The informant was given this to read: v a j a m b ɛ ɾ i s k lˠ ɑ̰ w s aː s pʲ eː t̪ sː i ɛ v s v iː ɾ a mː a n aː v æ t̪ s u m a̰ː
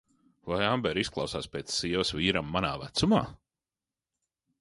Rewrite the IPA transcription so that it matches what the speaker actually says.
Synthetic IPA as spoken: v a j a m b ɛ ɾ i s k lˠ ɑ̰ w s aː s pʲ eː t̪ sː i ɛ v s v iː ɾ a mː a n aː v æ t̪ s u m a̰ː